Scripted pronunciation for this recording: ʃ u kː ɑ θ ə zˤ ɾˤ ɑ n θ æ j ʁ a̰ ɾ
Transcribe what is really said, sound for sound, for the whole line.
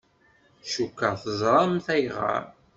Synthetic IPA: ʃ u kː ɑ θ ə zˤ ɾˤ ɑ m θ æ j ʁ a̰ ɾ